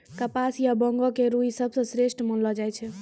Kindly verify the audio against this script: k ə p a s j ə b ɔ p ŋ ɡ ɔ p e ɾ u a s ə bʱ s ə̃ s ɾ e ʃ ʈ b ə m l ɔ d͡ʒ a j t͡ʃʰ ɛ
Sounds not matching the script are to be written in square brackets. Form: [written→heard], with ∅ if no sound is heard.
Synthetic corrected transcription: k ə p a s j [ə→a] b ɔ [p→∅] ŋ ɡ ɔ [p→k] e ɾ u [a→i] s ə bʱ s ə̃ s ɾ e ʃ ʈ [b→m] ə [m→n] l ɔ d͡ʒ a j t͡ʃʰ ɛ